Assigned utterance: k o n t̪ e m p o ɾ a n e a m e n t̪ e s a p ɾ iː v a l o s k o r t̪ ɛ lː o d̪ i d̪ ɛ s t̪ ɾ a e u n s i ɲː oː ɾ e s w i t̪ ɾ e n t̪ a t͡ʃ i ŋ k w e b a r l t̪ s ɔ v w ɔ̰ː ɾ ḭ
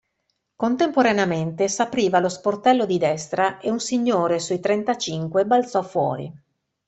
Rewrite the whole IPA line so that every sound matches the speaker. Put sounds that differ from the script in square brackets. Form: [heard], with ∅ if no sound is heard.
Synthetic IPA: k o n t̪ e m p o ɾ a n e a m e n t̪ e s a p ɾ iː v a l o s [p] o r t̪ ɛ lː o d̪ i d̪ ɛ s t̪ ɾ a e u n s i ɲː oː ɾ e s [u] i t̪ ɾ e n t̪ a t͡ʃ i ŋ k w e b a [∅] l t̪ s ɔ [f] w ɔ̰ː ɾ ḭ